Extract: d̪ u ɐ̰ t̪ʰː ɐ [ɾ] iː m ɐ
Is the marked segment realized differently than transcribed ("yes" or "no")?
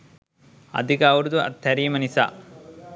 no